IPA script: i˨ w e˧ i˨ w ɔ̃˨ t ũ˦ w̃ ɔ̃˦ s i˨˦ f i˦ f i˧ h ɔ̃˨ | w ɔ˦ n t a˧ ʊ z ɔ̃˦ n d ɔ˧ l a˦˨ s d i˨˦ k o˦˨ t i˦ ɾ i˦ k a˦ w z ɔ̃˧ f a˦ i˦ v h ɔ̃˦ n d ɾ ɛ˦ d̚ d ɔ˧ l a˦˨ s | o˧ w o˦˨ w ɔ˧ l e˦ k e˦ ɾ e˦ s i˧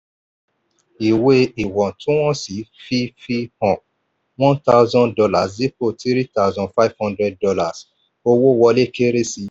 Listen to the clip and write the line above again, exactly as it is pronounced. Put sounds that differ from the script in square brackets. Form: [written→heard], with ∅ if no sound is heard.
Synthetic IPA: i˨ w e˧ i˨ w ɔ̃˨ t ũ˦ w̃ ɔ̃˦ s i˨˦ f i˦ f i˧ h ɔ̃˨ | w [ɔ˦→ɔ̃˦] n t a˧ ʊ z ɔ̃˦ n d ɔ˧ l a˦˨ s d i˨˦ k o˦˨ t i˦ ɾ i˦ [k→t] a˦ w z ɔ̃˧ f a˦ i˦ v h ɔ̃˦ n d ɾ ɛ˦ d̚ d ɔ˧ l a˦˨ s | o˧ w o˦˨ w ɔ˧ l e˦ k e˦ ɾ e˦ s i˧